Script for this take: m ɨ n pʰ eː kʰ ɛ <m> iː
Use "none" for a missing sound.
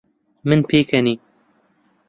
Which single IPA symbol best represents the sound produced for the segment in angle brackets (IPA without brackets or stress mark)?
n